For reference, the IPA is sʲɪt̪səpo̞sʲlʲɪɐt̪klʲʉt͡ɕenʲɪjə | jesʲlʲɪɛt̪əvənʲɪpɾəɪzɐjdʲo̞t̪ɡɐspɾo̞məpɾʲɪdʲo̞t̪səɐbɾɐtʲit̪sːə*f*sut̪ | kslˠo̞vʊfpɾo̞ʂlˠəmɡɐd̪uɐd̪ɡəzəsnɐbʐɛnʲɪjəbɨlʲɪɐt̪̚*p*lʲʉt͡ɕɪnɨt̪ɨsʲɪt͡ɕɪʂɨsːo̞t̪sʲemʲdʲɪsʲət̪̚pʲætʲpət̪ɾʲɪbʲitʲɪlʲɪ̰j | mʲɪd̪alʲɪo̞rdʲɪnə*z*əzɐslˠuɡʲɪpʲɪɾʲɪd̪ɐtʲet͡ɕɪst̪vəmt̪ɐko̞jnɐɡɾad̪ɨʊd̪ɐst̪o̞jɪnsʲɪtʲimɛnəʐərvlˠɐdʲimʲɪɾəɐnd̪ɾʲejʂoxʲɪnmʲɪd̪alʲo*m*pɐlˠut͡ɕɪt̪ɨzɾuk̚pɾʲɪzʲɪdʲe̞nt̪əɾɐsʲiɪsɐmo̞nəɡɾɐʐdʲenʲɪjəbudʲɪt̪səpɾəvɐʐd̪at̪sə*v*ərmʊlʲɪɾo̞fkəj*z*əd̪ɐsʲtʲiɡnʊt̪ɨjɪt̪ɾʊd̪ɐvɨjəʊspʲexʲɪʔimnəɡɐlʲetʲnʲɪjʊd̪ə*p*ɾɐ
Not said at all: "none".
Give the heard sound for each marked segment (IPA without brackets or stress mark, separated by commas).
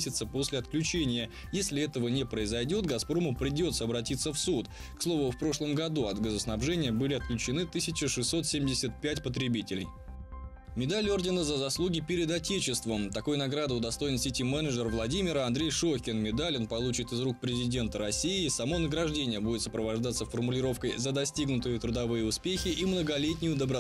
f, k, z, n, f, z, b